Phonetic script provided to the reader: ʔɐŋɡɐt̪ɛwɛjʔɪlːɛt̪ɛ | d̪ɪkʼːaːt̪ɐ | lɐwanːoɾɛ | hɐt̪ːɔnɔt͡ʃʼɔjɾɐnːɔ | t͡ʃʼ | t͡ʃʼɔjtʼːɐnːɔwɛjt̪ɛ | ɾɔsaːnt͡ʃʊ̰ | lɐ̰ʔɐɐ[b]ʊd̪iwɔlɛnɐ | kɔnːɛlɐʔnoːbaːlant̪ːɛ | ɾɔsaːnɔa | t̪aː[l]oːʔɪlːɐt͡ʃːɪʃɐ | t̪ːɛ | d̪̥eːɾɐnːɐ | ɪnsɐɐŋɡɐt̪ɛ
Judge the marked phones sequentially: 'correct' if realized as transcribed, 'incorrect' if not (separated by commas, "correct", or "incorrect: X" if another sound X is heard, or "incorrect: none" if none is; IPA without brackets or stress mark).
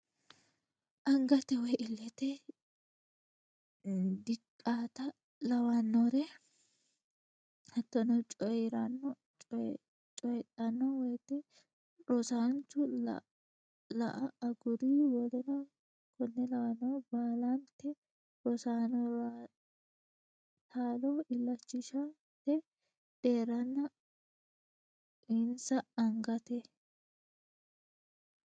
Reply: incorrect: ɡ, correct